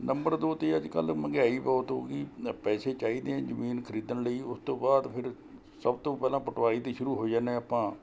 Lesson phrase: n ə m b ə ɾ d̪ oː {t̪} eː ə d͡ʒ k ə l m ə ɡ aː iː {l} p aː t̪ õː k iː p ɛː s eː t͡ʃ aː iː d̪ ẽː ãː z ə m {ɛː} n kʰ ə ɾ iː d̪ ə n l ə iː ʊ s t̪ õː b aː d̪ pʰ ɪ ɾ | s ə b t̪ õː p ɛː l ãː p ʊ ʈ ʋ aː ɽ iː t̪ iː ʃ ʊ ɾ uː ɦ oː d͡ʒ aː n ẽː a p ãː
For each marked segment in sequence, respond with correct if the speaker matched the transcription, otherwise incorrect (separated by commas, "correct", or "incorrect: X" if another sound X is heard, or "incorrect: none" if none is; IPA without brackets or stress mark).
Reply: correct, incorrect: none, incorrect: iː